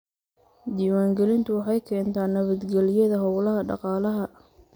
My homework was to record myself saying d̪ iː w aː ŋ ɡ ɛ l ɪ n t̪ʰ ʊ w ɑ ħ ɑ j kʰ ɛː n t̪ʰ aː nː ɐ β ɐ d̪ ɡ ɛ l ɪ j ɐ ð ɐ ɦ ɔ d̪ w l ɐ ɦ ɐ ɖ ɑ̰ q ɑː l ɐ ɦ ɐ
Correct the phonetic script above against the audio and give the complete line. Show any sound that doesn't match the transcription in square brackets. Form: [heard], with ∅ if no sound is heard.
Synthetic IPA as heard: d̪ iː w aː ŋ ɡ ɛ l ɪ n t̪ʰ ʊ w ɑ ħ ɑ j kʰ ɛː n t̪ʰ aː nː ɐ β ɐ d̪ ɡ ɛ l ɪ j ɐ ð ɐ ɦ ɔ [∅] w l ɐ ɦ ɐ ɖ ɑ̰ q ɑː l ɐ ɦ ɐ